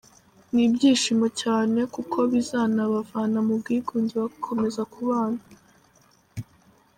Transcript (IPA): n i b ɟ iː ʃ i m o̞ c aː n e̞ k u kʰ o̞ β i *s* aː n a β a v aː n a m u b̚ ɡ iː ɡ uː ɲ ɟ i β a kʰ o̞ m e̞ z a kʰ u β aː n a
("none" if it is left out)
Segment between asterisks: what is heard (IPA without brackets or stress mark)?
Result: z